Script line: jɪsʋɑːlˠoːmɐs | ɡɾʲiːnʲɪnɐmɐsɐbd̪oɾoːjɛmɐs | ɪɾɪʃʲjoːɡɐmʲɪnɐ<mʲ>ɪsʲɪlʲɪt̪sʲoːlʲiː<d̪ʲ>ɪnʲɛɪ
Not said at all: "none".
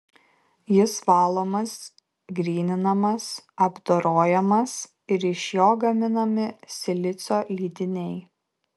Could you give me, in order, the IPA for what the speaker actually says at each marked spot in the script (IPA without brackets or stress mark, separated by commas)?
mʲ, d̪ʲ